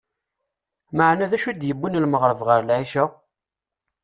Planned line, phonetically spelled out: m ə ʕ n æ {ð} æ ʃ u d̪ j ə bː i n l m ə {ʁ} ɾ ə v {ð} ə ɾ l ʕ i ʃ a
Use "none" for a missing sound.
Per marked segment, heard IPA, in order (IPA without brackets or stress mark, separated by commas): ð, ʁ, ʁ